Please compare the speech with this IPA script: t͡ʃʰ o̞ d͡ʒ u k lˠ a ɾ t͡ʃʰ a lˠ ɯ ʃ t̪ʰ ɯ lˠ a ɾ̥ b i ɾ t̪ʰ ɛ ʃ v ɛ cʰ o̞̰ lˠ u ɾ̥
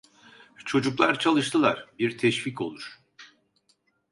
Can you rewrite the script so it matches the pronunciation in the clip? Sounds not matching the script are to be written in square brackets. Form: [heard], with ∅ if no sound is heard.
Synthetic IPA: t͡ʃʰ o̞ d͡ʒ u k lˠ a ɾ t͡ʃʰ a lˠ ɯ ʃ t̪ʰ ɯ lˠ a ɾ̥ b i ɾ t̪ʰ ɛ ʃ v [i] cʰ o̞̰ lˠ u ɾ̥

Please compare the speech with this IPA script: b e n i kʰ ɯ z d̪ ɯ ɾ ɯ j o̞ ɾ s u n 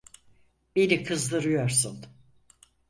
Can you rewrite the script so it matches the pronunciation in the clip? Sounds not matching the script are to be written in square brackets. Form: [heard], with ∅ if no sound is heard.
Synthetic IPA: b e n i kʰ ɯ z d̪ ɯ ɾ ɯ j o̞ ɾ s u n

